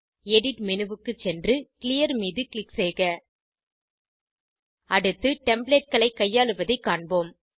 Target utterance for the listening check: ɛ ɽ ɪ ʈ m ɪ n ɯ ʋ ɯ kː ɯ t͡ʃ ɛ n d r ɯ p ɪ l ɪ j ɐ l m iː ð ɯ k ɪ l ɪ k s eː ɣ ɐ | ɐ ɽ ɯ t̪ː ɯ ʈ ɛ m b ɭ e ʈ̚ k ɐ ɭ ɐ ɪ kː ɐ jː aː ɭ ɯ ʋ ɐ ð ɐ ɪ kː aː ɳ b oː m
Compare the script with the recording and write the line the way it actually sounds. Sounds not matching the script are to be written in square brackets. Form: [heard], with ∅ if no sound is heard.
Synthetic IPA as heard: ɛ ɽ ɪ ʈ m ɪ n ɯ ʋ ɯ kː ɯ t͡ʃ ɛ n d r ɯ [k] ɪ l ɪ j ɐ [ɾ] m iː ð ɯ k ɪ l ɪ k s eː ɣ ɐ | ɐ ɽ ɯ t̪ː ɯ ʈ ɛ m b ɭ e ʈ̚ k ɐ ɭ ɐ ɪ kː ɐ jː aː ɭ ɯ ʋ ɐ ð ɐ ɪ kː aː ɳ b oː m